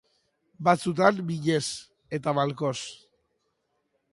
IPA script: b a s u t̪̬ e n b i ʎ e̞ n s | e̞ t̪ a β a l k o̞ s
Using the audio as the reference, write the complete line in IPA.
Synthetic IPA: b a t͡s u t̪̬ a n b i ʎ e̞ s | e̞ t̪ a β a l k o̞ s